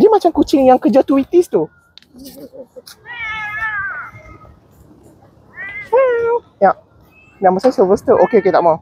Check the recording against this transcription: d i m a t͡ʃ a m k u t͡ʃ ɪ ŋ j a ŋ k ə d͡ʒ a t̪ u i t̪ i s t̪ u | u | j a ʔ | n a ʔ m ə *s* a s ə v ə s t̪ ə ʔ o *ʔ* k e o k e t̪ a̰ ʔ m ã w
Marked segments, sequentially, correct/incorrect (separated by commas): correct, incorrect